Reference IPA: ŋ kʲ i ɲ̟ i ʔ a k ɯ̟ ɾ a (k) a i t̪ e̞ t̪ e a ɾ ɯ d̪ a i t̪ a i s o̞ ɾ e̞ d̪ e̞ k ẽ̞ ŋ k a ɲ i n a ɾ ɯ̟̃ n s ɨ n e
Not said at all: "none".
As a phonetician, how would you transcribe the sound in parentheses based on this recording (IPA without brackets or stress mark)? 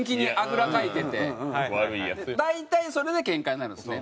k